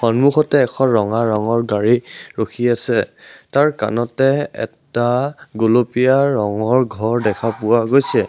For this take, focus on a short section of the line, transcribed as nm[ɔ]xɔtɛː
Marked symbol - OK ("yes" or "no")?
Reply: no